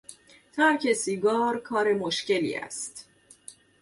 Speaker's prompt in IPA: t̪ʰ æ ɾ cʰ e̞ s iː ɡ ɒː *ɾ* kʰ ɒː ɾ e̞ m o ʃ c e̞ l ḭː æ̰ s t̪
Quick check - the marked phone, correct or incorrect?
correct